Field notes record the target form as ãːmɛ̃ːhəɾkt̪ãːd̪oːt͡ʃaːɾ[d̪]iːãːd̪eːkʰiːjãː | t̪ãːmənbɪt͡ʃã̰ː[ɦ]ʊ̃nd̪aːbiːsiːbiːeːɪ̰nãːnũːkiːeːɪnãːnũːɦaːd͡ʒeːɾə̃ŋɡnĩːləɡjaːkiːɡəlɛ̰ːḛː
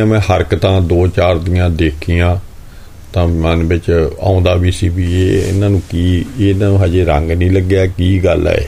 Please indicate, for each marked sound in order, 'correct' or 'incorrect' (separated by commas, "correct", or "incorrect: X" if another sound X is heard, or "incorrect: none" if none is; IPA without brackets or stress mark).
correct, incorrect: none